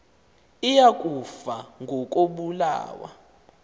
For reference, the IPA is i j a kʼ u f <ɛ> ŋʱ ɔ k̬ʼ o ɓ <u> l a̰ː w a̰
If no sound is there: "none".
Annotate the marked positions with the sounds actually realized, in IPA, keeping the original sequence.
a, u

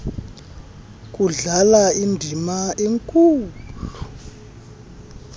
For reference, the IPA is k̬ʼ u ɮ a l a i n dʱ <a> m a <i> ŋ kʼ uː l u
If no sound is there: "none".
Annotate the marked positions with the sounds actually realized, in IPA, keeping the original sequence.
i, e

